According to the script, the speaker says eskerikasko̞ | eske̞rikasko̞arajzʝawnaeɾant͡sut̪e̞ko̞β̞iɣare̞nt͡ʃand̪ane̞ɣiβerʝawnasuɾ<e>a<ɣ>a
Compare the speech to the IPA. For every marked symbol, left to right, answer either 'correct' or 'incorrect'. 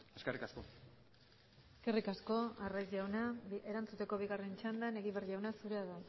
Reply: correct, incorrect: ð

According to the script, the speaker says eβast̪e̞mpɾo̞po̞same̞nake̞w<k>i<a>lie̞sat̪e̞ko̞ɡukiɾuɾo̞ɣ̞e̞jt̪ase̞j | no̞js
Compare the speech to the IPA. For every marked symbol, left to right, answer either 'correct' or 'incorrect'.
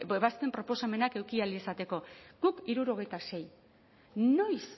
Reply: correct, correct

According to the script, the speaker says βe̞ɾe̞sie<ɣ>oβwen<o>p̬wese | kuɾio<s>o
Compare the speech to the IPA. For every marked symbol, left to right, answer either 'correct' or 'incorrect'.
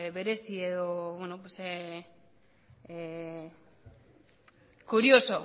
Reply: incorrect: ð, correct, correct

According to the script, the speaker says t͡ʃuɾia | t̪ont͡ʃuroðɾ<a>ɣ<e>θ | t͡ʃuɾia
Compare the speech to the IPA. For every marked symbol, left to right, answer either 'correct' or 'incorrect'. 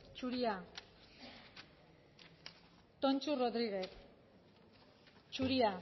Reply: incorrect: i, correct

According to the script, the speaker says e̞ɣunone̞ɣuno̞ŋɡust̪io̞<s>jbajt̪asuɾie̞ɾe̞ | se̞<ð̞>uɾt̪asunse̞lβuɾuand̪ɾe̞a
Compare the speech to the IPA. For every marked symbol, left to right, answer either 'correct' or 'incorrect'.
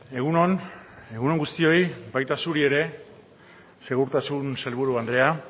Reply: incorrect: none, incorrect: ɣ̞

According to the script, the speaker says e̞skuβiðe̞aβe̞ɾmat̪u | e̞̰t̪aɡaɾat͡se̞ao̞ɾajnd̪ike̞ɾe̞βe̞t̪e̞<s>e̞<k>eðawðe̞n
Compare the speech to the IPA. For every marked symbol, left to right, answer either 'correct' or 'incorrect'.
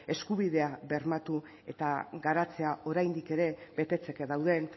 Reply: incorrect: t͡s, correct

